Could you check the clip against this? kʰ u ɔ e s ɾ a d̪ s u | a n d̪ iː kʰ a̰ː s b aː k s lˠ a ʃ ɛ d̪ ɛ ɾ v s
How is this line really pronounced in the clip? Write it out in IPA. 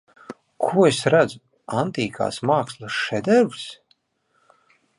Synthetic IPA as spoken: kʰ u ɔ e s ɾ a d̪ z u | a n t̪ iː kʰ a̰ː s m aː k s lˠ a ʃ ɛ d̪ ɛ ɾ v s